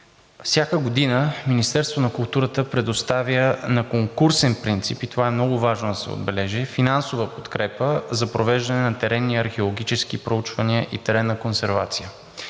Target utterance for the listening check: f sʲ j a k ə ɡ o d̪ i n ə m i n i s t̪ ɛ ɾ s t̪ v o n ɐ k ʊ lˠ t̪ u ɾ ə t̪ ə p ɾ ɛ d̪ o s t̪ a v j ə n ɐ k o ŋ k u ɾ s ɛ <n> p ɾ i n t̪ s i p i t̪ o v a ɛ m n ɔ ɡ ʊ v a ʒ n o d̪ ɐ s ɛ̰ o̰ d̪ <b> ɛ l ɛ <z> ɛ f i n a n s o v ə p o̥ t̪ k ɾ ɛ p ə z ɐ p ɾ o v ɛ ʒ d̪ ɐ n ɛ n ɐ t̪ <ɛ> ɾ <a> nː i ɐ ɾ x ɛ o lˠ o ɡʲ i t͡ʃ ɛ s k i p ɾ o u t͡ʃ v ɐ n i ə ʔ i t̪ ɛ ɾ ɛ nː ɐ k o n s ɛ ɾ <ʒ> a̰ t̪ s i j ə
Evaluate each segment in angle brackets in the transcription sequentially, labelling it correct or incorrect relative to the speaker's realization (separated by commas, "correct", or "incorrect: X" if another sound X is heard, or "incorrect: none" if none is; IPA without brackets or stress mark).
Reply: correct, correct, incorrect: ʒ, correct, incorrect: ɛ, incorrect: v